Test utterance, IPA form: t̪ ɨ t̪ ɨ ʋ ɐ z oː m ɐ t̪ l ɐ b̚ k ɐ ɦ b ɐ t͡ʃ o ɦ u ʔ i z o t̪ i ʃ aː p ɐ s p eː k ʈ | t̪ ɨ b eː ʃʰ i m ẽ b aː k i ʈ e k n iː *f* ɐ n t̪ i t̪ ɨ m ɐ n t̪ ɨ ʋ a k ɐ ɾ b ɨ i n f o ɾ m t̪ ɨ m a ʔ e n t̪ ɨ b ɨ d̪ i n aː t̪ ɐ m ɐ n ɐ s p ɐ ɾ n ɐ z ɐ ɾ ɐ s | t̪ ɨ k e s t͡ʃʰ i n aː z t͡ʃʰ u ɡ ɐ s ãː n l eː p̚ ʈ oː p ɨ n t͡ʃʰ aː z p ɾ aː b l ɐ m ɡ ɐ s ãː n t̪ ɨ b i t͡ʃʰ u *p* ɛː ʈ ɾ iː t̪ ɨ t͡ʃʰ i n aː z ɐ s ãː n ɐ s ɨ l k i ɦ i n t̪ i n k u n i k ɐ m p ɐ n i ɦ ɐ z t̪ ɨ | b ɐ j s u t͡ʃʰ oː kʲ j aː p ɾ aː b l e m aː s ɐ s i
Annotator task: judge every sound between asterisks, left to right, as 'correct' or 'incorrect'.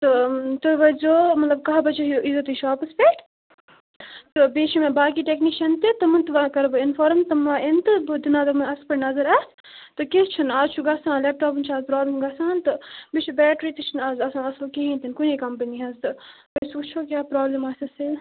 incorrect, incorrect

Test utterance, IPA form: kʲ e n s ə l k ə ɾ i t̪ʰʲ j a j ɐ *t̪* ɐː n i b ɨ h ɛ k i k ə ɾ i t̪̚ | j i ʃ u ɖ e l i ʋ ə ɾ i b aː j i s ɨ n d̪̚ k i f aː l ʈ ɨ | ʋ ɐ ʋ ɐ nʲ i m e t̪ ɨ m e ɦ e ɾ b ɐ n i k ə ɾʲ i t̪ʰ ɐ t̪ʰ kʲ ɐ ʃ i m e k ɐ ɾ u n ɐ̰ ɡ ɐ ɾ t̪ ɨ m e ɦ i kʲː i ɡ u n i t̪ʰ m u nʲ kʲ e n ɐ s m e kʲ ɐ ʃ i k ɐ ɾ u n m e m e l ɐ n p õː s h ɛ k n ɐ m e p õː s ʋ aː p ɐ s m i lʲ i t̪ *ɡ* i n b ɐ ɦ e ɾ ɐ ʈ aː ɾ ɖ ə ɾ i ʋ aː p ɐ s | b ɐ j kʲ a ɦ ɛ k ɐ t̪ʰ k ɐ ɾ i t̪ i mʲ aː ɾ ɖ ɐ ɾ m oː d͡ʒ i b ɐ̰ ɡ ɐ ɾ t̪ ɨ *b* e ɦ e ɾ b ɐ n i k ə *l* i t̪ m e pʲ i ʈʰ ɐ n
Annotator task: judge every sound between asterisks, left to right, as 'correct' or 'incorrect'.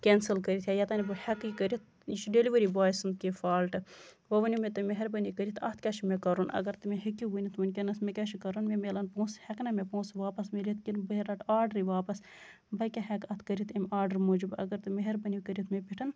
correct, incorrect, incorrect, incorrect

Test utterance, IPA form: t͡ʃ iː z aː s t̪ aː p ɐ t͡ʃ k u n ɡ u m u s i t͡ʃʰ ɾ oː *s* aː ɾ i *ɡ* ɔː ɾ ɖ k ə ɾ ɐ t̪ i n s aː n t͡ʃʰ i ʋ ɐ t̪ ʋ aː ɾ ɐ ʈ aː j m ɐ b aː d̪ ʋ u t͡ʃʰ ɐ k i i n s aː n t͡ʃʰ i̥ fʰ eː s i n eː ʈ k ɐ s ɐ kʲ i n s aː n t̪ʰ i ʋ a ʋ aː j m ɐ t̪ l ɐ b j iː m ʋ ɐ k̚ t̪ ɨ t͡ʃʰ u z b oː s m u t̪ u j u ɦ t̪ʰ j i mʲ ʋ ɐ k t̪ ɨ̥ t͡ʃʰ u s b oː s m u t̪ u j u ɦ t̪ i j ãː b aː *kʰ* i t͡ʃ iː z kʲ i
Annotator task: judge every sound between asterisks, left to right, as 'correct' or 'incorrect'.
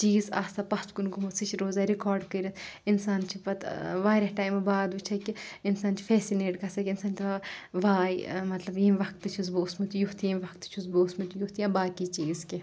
incorrect, incorrect, incorrect

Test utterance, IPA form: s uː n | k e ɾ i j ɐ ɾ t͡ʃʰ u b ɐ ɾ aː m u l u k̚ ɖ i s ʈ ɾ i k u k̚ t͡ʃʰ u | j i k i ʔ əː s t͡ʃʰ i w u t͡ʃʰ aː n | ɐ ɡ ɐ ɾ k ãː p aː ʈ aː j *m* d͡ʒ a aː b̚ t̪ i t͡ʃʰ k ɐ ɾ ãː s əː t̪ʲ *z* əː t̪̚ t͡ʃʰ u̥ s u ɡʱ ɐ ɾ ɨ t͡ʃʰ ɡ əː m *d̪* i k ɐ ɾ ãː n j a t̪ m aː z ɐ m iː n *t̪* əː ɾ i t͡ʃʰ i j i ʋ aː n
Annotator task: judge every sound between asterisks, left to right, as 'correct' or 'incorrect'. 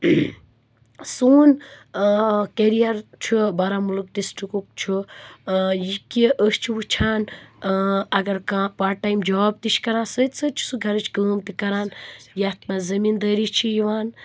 correct, incorrect, incorrect, incorrect

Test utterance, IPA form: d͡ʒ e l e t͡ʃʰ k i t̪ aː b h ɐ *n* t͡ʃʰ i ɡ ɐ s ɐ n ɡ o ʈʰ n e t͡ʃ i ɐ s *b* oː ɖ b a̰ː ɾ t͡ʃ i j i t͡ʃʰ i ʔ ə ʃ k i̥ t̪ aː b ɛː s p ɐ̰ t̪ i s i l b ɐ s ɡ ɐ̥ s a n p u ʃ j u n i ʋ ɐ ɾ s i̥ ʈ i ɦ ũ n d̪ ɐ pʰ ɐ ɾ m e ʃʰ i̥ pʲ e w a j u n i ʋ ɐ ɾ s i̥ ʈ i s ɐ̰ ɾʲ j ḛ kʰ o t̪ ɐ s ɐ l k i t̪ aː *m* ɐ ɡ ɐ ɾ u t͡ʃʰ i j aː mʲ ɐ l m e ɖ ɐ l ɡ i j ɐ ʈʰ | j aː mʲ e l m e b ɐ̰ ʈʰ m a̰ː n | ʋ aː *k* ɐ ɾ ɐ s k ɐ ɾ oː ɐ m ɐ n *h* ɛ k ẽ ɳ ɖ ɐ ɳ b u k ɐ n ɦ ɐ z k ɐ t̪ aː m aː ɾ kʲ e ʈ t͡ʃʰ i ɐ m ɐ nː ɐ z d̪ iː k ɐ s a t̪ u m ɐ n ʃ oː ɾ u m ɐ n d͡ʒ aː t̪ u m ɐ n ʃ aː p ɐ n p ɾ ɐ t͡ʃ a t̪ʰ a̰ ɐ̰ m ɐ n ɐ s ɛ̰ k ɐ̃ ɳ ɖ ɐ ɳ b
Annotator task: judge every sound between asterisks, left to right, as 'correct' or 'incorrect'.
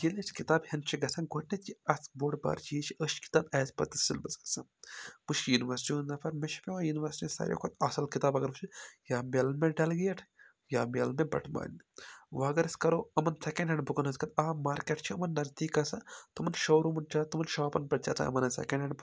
correct, correct, incorrect, incorrect, incorrect

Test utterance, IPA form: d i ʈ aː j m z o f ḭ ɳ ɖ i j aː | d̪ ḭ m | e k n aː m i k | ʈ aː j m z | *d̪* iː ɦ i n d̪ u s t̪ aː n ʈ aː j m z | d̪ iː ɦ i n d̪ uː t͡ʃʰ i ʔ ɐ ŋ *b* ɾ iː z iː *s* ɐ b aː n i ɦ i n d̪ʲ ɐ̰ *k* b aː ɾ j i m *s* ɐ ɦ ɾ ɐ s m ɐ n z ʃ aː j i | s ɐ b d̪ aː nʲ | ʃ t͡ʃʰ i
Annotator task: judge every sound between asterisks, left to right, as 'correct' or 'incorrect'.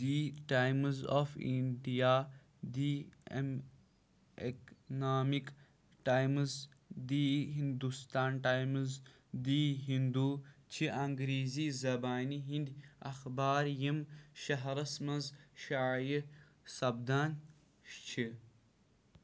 correct, incorrect, incorrect, incorrect, incorrect

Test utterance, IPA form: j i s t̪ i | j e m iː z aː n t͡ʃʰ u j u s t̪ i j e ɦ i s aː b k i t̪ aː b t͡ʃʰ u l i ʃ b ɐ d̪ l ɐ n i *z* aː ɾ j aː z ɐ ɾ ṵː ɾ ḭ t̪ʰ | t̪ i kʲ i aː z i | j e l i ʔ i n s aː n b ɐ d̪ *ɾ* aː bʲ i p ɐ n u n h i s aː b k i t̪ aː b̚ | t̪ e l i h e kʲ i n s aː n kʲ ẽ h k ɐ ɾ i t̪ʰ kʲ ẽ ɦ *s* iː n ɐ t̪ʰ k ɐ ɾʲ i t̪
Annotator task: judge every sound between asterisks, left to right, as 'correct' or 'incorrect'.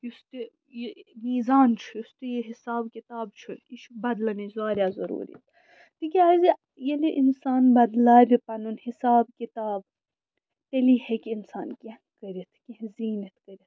correct, incorrect, incorrect

